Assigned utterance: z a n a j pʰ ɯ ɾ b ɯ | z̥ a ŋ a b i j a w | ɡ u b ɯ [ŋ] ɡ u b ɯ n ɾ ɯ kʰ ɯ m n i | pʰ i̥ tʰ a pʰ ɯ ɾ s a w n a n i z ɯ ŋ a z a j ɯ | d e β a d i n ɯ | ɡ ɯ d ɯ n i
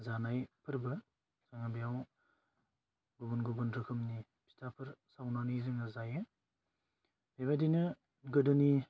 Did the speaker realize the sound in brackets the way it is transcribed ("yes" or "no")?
no